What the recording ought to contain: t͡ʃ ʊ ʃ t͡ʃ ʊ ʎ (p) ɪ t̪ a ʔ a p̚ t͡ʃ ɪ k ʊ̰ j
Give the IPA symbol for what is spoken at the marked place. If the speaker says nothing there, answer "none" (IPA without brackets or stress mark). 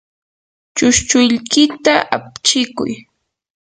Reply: k